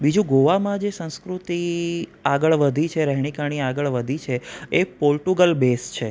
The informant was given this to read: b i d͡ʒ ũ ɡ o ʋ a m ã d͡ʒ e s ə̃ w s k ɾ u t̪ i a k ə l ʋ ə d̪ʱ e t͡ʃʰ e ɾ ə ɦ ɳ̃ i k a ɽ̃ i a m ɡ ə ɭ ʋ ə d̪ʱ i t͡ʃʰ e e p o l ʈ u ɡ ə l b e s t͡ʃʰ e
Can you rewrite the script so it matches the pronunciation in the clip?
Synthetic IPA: b i d͡ʒ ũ ɡ o ʋ a m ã d͡ʒ e s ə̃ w s k ɾ u t̪ i a ɡ ə ɭ ʋ ə d̪ʱ i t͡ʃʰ e ɾ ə ɦ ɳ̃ i k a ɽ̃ i a ɡ ə ɭ ʋ ə d̪ʱ i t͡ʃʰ e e p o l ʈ u ɡ ə l b e s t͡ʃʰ e